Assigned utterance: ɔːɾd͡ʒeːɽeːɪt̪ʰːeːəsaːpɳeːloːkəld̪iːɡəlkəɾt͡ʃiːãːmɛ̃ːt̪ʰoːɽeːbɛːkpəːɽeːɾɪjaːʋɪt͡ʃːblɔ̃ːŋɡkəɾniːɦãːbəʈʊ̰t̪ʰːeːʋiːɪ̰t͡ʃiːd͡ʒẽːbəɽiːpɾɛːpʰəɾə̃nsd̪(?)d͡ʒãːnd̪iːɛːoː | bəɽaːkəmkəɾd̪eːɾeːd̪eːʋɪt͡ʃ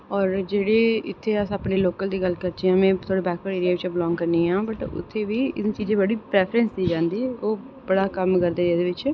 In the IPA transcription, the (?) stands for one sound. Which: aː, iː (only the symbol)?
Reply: iː